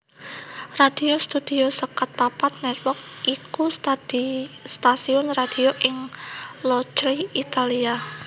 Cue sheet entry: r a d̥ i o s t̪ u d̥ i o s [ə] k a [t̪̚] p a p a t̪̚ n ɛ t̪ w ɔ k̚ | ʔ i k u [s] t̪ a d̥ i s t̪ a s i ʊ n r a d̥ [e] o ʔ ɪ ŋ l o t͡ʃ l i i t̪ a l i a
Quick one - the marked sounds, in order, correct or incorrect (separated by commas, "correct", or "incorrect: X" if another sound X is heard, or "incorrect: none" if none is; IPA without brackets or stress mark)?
correct, correct, correct, incorrect: i